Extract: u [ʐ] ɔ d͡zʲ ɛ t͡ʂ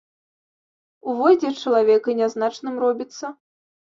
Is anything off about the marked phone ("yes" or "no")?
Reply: yes